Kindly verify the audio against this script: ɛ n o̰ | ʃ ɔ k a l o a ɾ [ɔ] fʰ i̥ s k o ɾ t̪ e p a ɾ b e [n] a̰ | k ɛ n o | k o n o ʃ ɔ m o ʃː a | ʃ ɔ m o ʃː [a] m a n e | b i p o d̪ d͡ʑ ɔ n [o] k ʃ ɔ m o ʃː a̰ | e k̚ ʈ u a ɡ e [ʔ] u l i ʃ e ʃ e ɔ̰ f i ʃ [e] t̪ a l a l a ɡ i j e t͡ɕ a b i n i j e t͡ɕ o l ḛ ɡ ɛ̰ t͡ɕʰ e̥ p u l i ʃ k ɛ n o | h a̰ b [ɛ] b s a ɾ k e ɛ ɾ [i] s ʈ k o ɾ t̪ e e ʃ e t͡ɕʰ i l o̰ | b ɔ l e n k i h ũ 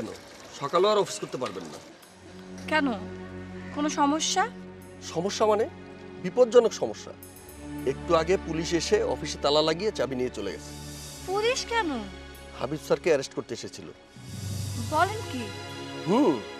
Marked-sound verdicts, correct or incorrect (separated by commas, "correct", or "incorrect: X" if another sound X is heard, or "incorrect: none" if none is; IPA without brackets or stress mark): correct, incorrect: nː, correct, correct, incorrect: p, correct, incorrect: i, incorrect: e